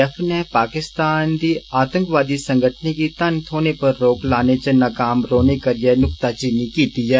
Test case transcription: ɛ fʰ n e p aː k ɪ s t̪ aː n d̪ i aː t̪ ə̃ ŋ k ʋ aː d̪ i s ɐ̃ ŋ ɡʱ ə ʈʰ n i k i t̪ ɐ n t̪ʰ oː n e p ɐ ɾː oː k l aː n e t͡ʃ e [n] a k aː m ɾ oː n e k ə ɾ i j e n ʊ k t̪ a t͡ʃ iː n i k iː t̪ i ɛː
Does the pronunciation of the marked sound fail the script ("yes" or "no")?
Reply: no